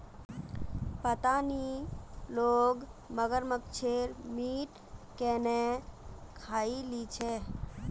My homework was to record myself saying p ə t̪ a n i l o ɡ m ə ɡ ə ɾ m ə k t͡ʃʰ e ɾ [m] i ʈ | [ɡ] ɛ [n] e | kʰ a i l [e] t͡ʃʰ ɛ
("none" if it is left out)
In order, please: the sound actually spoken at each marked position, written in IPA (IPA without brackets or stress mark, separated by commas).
m, k, n, i